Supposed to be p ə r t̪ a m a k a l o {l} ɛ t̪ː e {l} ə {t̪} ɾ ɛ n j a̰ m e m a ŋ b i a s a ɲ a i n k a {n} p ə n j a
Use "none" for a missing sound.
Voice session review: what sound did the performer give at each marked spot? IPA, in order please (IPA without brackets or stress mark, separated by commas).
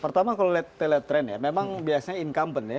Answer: l, l, t̪, m